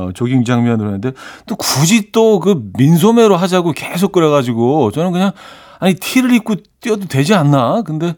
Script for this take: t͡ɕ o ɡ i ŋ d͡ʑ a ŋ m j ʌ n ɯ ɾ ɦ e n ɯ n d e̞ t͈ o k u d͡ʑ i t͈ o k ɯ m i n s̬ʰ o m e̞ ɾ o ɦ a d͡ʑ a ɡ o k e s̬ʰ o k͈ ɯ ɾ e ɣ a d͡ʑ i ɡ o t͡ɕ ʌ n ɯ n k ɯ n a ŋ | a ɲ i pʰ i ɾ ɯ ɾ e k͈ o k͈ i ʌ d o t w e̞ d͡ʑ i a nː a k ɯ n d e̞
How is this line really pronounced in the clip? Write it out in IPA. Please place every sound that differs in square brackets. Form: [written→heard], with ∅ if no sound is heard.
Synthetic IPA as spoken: t͡ɕ o ɡ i ŋ d͡ʑ a ŋ m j ʌ n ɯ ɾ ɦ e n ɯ n d e̞ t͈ o k u d͡ʑ i t͈ o k ɯ m i n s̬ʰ o m e̞ ɾ o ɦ a d͡ʑ a ɡ o k e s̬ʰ o k͈ ɯ ɾ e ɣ a d͡ʑ i ɡ o t͡ɕ ʌ n ɯ n k ɯ [n→ɲ] a ŋ | a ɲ i [pʰ→tʰ] i ɾ ɯ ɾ [e→i] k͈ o [k͈→t͈] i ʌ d o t w e̞ d͡ʑ i a nː a k ɯ n d e̞